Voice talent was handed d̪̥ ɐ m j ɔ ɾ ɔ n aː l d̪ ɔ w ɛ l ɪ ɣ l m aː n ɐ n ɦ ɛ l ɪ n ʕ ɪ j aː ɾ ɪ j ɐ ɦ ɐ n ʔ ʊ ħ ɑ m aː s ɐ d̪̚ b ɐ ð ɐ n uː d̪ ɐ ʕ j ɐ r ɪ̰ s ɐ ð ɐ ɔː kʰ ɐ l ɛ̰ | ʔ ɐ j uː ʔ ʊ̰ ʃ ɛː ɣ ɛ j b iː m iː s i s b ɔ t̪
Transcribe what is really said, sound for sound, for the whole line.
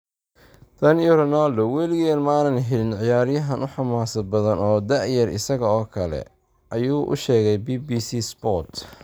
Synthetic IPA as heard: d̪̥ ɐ n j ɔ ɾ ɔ n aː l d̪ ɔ w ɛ l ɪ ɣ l m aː n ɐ n ɦ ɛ l ɪ n ʕ ɪ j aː ɾ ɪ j ɐ ɦ ɐ n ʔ ʊ ħ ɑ m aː s ɐ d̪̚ b ɐ ð ɐ n ɔː d̪ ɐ ʕ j ɐ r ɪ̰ s ɐ ɣ ɐ ɔː kʰ ɐ l ɛ̰ | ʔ ɐ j uː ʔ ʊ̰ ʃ ɛː ɣ ɛ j b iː b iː s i s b ɔ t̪